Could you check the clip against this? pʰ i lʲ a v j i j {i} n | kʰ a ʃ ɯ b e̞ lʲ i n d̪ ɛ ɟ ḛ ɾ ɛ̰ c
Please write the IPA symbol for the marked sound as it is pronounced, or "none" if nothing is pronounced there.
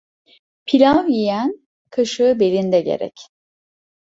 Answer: æ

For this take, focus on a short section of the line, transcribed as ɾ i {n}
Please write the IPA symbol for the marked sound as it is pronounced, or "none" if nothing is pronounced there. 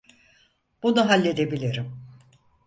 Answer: m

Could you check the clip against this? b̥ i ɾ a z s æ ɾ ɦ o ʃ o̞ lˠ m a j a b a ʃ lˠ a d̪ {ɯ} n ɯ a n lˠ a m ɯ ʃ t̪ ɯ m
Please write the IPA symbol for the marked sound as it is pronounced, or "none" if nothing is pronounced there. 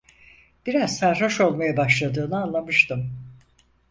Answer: ɯː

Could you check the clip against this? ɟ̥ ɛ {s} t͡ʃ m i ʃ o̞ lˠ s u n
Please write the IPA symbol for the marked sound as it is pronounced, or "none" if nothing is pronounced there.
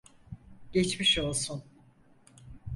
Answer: none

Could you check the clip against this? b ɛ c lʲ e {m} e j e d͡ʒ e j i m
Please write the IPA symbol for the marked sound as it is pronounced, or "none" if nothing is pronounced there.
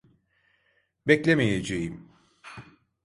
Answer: m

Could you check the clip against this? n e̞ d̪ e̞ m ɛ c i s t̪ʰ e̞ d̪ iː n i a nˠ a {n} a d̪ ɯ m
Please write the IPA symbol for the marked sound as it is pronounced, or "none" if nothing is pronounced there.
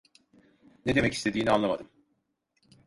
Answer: m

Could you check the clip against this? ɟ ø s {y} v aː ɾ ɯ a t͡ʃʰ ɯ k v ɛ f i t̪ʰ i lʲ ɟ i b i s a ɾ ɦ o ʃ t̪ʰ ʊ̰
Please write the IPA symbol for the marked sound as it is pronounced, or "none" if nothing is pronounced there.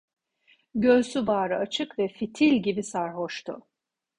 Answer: y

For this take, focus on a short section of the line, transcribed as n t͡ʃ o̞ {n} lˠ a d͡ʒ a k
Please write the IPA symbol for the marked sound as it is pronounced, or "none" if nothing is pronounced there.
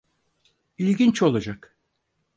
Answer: none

